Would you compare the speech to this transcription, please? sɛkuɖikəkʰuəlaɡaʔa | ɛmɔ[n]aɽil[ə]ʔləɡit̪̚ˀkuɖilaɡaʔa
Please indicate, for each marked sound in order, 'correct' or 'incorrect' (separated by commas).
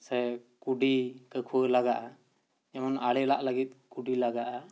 correct, incorrect